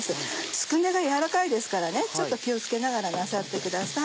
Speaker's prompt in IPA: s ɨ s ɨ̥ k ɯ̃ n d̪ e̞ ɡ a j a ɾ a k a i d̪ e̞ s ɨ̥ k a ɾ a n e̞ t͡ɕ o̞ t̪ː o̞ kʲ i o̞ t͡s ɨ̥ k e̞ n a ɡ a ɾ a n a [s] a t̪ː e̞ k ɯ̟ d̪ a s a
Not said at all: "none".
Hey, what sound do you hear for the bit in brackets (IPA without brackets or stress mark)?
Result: s